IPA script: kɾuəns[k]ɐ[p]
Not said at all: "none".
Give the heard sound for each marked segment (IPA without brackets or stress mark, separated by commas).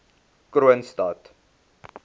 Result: t, t